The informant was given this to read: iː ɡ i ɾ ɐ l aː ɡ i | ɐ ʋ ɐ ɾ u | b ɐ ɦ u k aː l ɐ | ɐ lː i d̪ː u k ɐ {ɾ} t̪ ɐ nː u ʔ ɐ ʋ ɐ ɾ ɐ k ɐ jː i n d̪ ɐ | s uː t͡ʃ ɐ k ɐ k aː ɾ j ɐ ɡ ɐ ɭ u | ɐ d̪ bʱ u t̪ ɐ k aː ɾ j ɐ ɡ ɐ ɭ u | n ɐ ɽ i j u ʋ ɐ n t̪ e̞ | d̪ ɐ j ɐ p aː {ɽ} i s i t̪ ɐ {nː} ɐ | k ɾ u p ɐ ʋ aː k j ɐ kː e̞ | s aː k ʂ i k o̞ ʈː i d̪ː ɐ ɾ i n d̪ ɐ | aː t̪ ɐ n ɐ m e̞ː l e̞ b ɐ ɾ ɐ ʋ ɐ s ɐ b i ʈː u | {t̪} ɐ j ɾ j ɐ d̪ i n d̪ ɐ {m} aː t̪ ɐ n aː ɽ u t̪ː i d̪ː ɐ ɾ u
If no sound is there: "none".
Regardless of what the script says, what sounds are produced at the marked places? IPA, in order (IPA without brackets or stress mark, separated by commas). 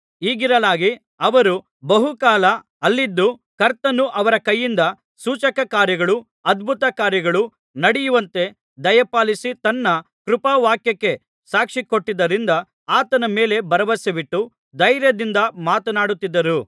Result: ɾ, l, nː, d̪, m